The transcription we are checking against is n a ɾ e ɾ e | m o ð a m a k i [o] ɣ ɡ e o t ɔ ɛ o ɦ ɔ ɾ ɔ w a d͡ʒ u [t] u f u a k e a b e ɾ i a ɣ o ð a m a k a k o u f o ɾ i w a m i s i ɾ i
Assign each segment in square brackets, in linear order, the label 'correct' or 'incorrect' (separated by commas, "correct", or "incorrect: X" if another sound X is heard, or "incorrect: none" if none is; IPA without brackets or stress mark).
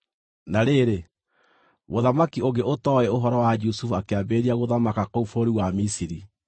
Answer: correct, incorrect: s